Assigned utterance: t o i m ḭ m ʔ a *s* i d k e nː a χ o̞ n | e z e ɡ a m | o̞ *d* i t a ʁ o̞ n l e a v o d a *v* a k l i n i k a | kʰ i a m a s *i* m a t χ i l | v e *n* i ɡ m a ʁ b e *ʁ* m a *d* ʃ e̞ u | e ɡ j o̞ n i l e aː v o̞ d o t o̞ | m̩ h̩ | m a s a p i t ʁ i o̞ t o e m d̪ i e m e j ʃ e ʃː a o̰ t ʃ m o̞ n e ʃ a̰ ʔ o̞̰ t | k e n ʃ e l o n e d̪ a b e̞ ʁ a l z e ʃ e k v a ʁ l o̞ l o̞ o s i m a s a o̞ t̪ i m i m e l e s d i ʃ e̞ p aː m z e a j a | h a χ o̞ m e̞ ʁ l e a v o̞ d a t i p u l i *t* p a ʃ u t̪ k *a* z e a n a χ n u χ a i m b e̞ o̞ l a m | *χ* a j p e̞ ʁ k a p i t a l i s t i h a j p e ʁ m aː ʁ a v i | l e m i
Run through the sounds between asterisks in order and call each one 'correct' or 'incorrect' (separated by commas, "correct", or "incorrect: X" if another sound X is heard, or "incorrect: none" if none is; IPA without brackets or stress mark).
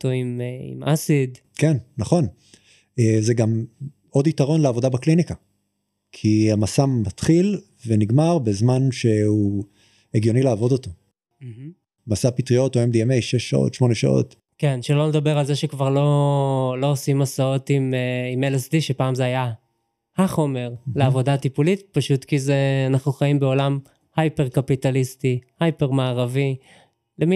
correct, correct, incorrect: b, incorrect: a, correct, incorrect: z, incorrect: n, correct, incorrect: i, incorrect: h